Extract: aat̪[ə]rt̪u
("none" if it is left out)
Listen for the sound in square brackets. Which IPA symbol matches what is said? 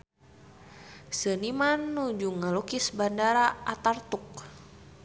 a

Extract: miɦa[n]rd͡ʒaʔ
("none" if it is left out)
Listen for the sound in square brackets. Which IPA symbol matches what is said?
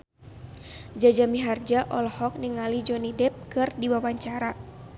none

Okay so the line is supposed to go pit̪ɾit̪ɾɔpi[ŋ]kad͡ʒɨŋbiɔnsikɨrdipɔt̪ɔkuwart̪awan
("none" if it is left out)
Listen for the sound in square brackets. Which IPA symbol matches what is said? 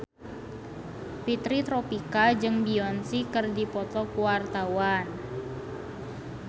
none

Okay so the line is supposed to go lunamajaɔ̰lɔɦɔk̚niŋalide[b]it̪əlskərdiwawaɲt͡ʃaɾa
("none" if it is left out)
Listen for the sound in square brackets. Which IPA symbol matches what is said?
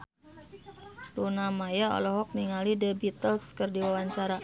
b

